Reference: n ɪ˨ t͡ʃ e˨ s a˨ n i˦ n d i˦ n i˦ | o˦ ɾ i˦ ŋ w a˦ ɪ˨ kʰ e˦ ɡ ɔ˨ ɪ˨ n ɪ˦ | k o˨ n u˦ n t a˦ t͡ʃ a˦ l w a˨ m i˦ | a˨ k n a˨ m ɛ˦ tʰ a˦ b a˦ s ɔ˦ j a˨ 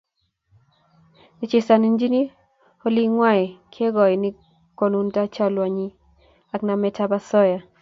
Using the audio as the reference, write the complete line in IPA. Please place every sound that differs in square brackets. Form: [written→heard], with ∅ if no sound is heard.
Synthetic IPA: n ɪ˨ t͡ʃ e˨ s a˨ n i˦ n [d→d͡ʒ] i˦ n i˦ | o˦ [ɾ→l] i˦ ŋ w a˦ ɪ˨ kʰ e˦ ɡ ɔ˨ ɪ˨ n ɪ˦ | k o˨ n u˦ n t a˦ t͡ʃ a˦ l w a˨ [m→ɲ] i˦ | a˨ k n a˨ m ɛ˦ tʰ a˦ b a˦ s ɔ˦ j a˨